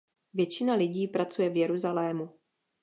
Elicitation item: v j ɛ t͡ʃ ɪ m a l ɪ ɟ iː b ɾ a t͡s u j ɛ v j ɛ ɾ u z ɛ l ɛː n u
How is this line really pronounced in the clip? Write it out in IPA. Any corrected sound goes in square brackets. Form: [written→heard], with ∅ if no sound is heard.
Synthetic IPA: v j ɛ t͡ʃ ɪ [m→n] a l ɪ ɟ iː [b→p] ɾ a t͡s u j ɛ v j ɛ ɾ u z [ɛ→a] l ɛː [n→m] u